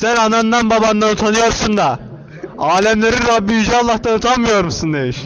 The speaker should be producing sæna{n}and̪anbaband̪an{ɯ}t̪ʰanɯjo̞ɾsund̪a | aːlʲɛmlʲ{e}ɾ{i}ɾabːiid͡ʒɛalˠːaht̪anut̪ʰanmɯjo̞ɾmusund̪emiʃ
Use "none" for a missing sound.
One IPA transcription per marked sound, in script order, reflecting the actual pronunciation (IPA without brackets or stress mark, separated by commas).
n, u, e, i